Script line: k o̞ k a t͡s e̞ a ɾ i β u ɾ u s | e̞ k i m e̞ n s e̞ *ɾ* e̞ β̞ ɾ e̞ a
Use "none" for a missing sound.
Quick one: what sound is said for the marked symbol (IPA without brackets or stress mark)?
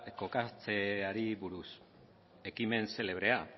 l